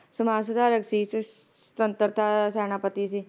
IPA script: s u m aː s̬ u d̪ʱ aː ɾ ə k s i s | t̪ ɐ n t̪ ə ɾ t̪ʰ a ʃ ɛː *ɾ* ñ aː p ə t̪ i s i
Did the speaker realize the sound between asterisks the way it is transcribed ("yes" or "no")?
no